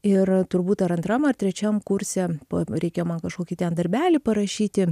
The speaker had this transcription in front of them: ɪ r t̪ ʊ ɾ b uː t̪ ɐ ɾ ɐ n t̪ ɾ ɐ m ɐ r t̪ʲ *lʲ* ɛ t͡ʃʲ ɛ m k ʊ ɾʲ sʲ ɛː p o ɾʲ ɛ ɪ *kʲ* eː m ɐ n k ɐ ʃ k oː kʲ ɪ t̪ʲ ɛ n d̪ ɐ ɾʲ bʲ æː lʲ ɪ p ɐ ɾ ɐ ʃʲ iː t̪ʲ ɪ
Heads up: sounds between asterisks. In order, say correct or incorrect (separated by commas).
incorrect, correct